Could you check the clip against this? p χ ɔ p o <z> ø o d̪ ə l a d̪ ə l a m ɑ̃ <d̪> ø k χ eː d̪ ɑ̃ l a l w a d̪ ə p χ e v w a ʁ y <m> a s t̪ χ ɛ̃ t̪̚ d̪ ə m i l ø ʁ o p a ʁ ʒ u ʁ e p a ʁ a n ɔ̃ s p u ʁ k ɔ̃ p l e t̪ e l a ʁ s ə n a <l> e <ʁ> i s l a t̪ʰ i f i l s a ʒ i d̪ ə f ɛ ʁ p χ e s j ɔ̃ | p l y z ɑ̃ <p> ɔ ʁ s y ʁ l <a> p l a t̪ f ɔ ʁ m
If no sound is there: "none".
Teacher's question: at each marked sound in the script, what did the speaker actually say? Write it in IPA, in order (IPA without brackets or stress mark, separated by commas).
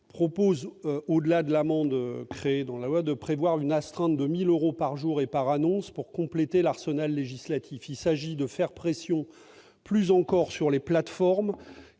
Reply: z, d̪, n, lː, ʒ, k, e